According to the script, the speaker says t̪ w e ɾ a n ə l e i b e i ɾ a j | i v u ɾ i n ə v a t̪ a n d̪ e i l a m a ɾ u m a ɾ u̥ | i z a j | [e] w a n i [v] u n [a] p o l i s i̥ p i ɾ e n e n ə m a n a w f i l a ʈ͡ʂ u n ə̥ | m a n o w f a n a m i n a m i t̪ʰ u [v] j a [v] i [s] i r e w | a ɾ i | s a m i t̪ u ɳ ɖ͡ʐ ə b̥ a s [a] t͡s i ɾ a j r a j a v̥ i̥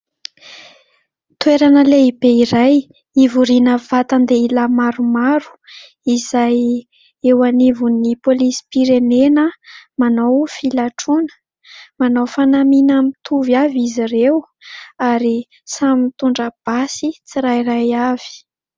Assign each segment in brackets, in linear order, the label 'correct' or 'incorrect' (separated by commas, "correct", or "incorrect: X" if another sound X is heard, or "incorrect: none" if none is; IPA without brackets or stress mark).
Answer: correct, correct, incorrect: i, correct, correct, incorrect: z, incorrect: i